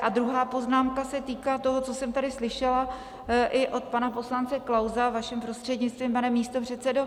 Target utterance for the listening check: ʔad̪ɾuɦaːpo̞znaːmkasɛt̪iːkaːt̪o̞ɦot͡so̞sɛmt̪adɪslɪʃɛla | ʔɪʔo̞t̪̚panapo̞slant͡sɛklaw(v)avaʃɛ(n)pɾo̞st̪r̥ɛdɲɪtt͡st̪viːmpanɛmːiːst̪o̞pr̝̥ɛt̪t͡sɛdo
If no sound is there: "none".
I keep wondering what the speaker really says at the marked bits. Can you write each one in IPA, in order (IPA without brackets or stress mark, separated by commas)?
z, m